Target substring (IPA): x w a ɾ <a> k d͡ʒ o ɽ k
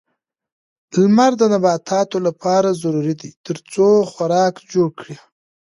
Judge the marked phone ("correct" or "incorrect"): incorrect